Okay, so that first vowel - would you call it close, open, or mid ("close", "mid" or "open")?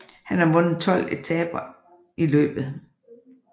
open